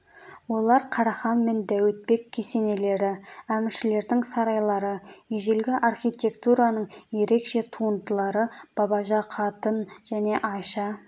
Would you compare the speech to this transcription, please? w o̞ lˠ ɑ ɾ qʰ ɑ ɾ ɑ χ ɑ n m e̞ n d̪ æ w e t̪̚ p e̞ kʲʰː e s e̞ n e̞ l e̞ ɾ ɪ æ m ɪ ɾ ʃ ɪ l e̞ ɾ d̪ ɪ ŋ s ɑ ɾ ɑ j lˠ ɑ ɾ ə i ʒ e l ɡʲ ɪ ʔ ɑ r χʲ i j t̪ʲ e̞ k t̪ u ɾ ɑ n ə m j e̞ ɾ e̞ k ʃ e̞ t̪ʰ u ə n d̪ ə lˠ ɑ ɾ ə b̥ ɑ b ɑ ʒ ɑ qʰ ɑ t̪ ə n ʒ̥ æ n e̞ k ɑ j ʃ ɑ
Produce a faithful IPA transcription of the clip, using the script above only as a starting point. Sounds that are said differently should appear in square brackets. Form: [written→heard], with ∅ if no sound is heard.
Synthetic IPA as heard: w o̞ lˠ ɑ ɾ qʰ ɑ ɾ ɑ χ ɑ n m e̞ n d̪ æ w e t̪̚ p e̞ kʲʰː e s e̞ n e̞ l e̞ ɾ ɪ æ m ɪ ɾ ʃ ɪ l e̞ ɾ d̪ ɪ ŋ s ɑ ɾ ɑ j lˠ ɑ ɾ ə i ʒ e l ɡʲ ɪ ʔ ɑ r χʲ i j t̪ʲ e̞ k t̪ u ɾ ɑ n ə [m→ɴ] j e̞ ɾ e̞ k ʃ e̞ t̪ʰ u ə n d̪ ə lˠ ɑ ɾ ə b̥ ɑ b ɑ ʒ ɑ qʰ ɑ t̪ ə n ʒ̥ æ n e̞ [k→ʔ] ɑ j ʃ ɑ

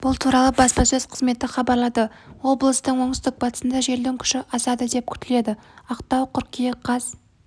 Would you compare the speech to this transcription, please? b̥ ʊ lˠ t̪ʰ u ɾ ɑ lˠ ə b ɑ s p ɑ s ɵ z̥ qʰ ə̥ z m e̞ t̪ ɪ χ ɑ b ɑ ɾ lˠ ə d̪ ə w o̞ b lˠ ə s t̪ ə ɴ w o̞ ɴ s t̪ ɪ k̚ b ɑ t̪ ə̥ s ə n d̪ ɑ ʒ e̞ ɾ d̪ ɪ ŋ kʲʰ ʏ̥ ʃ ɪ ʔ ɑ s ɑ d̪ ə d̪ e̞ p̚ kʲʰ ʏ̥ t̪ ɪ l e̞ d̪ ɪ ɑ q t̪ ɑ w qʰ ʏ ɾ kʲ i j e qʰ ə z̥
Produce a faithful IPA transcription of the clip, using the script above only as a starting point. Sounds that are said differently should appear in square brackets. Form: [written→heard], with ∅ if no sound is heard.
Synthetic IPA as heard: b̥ ʊ lˠ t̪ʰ u ɾ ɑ lˠ ə b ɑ s p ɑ s ɵ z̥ qʰ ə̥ z m e̞ t̪ ɪ χ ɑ b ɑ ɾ lˠ [ə→ɑ] d̪ ə w o̞ b lˠ ə s t̪ ə ɴ w o̞ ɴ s t̪ ɪ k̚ b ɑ t̪ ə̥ s ə n d̪ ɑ ʒ e̞ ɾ d̪ ɪ ŋ kʲʰ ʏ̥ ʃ ɪ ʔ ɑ s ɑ d̪ ə d̪ e̞ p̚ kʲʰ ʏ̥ t̪ ɪ l e̞ d̪ ɪ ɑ q t̪ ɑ w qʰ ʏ ɾ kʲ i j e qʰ [ə→ɑ] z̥

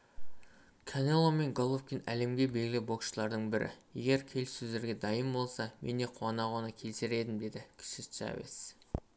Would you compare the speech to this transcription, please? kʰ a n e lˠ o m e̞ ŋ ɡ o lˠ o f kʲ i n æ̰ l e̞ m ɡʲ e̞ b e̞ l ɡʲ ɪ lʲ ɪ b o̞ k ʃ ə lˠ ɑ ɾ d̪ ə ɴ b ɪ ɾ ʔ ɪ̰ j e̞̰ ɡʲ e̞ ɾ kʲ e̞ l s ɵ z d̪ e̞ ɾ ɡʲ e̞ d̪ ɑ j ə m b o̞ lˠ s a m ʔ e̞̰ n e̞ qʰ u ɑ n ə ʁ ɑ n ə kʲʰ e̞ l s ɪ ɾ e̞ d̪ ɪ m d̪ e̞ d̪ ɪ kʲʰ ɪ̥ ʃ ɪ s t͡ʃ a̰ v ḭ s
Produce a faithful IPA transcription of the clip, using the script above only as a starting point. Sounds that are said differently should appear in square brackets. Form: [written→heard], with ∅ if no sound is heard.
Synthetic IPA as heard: kʰ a n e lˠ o m e̞ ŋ ɡ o lˠ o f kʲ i n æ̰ l e̞ m ɡʲ e̞ b e̞ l ɡʲ ɪ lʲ ɪ b o̞ k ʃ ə lˠ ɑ ɾ d̪ ə ɴ b ɪ ɾ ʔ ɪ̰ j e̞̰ ɡʲ e̞ ɾ [kʲ→kʲʰ] e̞ l s ɵ z d̪ e̞ ɾ ɡʲ e̞ d̪ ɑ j ə m b o̞ lˠ s [a→ɑ] m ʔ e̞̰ n e̞ qʰ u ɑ n [ə→ɑ] ʁ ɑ n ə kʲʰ e̞ l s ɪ ɾ e̞ d̪ ɪ m d̪ e̞ d̪ ɪ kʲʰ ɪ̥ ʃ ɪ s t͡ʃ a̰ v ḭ s

